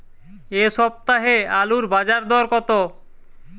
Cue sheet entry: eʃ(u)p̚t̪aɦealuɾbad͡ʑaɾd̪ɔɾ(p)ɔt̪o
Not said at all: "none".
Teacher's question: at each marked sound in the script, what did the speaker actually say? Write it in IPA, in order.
ɔ, k

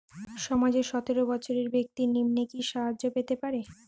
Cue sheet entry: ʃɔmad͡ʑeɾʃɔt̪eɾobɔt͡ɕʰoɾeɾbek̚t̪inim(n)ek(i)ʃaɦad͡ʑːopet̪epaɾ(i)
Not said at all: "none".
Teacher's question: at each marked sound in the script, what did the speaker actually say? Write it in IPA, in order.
n, i, e

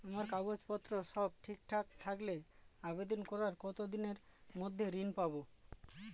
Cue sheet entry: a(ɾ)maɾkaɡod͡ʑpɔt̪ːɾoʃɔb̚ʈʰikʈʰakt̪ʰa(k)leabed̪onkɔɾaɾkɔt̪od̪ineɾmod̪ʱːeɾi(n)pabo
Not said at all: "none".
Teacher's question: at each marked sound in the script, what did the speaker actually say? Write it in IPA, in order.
none, k, n

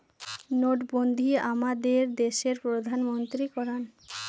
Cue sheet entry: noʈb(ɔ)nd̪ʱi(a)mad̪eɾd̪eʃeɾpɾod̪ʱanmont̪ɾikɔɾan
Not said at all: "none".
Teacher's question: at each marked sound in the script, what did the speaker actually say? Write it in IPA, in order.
o, a

